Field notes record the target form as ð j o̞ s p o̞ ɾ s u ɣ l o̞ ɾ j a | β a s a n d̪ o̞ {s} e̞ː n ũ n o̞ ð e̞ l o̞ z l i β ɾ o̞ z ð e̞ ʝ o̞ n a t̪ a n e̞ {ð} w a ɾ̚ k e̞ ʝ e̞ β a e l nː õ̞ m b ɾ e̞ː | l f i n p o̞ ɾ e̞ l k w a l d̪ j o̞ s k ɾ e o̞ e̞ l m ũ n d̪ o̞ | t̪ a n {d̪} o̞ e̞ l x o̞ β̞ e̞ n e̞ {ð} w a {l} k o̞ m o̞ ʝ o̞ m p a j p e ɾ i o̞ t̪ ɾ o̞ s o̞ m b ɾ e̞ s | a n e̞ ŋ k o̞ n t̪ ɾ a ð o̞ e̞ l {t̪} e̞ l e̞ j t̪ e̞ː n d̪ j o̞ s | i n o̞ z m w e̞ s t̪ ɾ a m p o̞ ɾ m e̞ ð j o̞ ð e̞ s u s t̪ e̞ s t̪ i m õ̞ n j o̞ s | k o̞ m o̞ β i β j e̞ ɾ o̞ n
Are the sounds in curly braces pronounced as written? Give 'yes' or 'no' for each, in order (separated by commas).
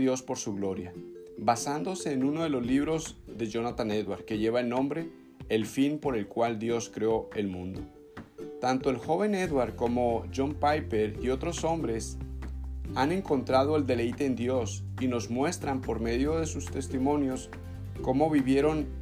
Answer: yes, yes, no, yes, no, no